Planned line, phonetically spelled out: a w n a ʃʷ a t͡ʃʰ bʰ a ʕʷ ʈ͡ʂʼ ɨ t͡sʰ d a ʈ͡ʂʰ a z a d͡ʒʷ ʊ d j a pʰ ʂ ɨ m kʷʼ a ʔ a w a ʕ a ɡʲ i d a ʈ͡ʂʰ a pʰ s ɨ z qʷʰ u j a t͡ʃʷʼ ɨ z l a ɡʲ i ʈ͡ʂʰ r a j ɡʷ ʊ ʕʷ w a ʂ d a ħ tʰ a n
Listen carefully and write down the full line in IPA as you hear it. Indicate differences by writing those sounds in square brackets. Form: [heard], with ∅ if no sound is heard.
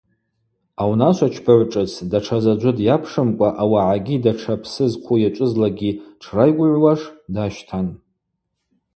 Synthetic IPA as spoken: a w n a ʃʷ a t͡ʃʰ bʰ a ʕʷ ʈ͡ʂʼ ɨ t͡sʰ d a ʈ͡ʂʰ a z a d͡ʒʷ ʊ d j a pʰ ʂ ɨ m kʷʼ a ʔ a w a ʕ a ɡʲ i d a ʈ͡ʂʰ a pʰ s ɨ z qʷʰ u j a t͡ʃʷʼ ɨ z l a ɡʲ i ʈ͡ʂʰ r a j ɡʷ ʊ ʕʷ w a ʂ d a [ʃ] tʰ a n